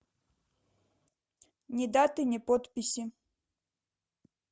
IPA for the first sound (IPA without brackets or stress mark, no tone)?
nʲ